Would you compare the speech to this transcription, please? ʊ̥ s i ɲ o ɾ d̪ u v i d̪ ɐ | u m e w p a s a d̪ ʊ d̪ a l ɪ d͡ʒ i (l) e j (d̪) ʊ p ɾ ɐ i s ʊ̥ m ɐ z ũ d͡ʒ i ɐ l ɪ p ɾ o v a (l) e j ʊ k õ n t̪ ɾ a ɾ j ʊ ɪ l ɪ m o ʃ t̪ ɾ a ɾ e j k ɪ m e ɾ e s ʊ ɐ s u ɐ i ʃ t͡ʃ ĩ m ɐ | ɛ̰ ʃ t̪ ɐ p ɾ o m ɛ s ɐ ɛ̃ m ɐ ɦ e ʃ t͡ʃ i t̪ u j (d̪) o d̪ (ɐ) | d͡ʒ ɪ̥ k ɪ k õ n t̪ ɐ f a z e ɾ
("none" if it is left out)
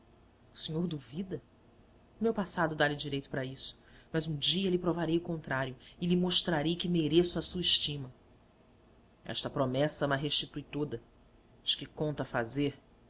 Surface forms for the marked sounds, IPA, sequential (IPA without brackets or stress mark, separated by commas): ɾ, t̪, ɾ, t̪, ɐ